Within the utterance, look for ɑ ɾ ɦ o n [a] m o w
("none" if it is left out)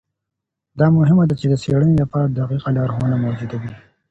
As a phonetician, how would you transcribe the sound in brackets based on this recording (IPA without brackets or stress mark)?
a